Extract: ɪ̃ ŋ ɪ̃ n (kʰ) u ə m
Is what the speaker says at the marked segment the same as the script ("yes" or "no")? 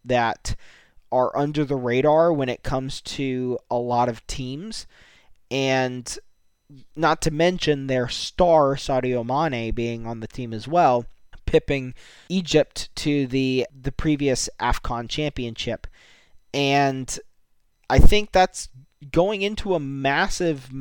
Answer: no